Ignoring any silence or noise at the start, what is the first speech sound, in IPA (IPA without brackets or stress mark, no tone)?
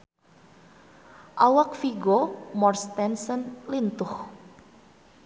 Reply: ʔ